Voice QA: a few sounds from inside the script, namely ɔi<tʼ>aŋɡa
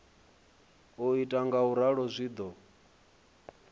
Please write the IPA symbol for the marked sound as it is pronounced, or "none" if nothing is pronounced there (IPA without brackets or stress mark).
tʼ